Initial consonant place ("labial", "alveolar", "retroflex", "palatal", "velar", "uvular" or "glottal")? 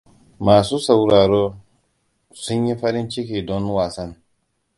labial